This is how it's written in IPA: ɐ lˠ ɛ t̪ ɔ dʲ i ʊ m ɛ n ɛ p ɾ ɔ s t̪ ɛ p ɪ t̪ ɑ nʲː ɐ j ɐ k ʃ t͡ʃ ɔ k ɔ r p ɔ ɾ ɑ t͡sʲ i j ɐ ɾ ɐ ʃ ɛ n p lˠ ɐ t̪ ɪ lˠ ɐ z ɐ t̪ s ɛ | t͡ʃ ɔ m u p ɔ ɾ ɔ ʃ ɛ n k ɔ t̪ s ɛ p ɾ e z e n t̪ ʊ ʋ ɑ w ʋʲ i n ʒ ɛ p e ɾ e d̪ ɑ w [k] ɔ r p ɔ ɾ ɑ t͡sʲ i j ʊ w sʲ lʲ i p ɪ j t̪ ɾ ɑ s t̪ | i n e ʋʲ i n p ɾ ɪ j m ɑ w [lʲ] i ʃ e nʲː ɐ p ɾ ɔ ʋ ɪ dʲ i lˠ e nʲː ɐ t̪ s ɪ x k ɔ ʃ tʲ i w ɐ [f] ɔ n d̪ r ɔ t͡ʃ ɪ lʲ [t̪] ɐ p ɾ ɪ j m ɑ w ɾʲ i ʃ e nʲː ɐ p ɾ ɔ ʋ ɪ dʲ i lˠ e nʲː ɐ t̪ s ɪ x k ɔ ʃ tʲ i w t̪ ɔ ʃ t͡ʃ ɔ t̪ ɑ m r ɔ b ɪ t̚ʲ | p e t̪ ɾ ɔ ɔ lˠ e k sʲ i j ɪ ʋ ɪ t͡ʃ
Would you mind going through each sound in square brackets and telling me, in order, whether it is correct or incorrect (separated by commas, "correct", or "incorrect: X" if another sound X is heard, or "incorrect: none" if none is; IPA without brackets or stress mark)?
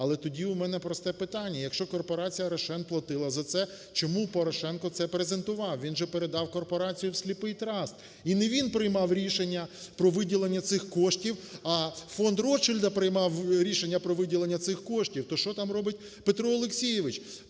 correct, incorrect: ɾʲ, correct, incorrect: d̪